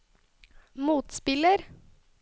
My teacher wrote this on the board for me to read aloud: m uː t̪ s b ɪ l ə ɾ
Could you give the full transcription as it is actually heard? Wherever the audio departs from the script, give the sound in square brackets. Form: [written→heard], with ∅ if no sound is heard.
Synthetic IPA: m uː t̪ s [b→p] ɪ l ə ɾ